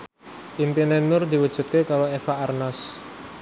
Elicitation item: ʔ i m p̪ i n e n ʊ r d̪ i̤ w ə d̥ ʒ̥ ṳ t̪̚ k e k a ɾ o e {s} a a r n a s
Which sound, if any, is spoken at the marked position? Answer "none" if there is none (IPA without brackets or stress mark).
f